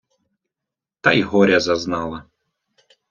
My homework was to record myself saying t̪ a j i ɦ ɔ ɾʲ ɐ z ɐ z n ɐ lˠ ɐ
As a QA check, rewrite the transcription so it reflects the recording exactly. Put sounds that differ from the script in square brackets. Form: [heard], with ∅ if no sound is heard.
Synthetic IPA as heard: t̪ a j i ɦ ɔ ɾʲ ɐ z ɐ z n [ɑ] lˠ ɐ

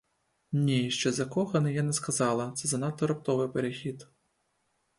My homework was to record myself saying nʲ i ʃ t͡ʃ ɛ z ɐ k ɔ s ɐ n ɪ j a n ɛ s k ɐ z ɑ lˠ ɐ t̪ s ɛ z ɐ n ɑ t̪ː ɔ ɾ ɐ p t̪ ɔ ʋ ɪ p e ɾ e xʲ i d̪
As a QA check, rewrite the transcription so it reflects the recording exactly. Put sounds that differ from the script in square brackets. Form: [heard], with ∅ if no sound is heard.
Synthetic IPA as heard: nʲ i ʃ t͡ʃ ɛ z ɐ k ɔ [x] ɐ n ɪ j a n ɛ s k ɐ z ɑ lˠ ɐ t̪ s ɛ z ɐ n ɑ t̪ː ɔ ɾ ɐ p t̪ ɔ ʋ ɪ p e ɾ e xʲ i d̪

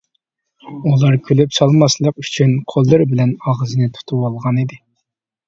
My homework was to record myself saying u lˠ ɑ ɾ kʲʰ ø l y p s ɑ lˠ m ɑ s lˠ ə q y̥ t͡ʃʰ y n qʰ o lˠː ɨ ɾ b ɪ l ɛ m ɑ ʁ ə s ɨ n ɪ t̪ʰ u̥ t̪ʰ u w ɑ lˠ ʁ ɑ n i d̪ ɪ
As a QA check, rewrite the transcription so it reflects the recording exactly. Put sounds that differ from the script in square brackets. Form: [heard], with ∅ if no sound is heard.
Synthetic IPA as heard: u lˠ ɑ ɾ kʲʰ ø l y p s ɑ lˠ m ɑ s lˠ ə q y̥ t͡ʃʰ y n qʰ o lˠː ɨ ɾ b ɪ l ɛ [n] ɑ ʁ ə [z] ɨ n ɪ t̪ʰ u̥ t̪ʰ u w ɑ lˠ ʁ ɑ n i d̪ ɪ

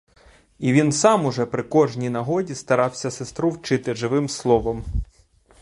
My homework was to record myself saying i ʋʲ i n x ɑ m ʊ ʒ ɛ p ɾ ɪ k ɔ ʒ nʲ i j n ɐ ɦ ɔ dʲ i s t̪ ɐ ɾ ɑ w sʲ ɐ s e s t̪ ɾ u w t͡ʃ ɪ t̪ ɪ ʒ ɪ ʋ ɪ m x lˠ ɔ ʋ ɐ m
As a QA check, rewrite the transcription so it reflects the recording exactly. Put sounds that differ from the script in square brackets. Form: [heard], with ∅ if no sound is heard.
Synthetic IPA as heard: i ʋʲ i n [s] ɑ m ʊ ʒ ɛ p ɾ ɪ k ɔ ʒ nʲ i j n ɐ ɦ ɔ dʲ i s t̪ ɐ ɾ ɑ w sʲ ɐ s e s t̪ ɾ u w t͡ʃ ɪ t̪ ɪ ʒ ɪ ʋ ɪ m [s] lˠ ɔ ʋ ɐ m

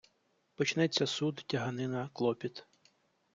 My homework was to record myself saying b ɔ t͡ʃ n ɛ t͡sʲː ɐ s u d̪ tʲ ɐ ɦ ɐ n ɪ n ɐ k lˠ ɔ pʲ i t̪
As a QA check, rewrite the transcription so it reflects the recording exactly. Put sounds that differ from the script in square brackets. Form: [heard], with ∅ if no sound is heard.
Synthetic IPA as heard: [p] ɔ t͡ʃ n ɛ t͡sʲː ɐ s u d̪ tʲ ɐ ɦ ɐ n ɪ n ɐ k lˠ ɔ pʲ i t̪

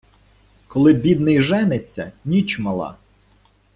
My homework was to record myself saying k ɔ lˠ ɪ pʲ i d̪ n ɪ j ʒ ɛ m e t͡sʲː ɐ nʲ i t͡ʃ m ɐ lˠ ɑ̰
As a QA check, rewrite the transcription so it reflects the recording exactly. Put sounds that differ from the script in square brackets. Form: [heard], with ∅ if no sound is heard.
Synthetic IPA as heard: k ɔ lˠ ɪ [bʲ] i d̪ n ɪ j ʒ ɛ [n] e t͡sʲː ɐ nʲ i t͡ʃ m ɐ lˠ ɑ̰

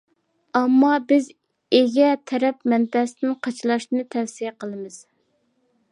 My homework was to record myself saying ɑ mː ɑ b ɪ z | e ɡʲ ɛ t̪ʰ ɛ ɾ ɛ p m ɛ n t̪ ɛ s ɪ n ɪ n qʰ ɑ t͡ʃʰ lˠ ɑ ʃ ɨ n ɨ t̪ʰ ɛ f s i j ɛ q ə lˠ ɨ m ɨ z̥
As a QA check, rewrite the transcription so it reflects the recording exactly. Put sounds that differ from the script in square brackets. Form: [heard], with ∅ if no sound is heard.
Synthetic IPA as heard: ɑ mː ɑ b ɪ z | e ɡʲ ɛ t̪ʰ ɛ ɾ ɛ p m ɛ n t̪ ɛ s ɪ n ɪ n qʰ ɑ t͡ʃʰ lˠ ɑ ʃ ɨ n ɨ t̪ʰ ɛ f s i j ɛ q ə lˠ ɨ m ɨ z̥

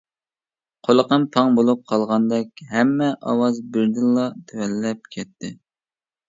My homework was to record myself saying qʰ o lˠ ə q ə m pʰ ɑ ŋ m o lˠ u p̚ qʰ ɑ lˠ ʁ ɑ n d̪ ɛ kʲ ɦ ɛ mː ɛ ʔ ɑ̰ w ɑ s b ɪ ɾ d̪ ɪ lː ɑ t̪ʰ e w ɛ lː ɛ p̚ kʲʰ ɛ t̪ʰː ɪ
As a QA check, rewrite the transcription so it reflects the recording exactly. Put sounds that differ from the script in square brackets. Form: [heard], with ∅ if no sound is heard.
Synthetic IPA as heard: qʰ o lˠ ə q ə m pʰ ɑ ŋ [b] o lˠ u p̚ qʰ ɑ lˠ ʁ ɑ n d̪ ɛ kʲ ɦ ɛ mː ɛ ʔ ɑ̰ w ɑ [z] b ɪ ɾ d̪ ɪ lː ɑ t̪ʰ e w ɛ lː ɛ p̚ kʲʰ ɛ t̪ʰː ɪ

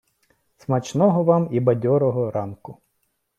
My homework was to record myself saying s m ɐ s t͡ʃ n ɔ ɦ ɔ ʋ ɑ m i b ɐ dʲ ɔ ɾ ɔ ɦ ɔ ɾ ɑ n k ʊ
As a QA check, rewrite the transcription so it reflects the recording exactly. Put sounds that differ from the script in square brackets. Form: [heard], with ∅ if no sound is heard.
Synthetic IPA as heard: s m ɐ [∅] t͡ʃ n ɔ ɦ ɔ ʋ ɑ m i b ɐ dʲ ɔ ɾ ɔ ɦ ɔ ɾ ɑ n k ʊ

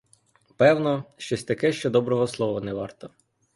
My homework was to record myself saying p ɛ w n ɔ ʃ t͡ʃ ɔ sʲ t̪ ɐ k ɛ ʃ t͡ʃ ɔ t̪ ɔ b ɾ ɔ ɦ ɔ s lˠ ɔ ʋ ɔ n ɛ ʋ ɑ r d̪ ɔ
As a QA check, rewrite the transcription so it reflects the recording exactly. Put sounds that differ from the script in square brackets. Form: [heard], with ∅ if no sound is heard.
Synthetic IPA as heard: p ɛ w n ɔ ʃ t͡ʃ ɔ sʲ t̪ ɐ k ɛ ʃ t͡ʃ ɔ [d̪] ɔ b ɾ ɔ ɦ ɔ s lˠ ɔ ʋ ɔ n ɛ ʋ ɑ r [t̪] ɔ

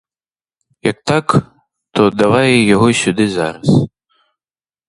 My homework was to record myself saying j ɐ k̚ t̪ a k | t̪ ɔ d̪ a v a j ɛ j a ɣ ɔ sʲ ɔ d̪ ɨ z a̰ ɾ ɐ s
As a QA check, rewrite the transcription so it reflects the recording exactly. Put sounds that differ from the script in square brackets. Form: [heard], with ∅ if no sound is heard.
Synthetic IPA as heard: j ɐ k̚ t̪ a k | t̪ ɔ d̪ a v a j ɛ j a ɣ ɔ sʲ [u] d̪ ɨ z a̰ ɾ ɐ s

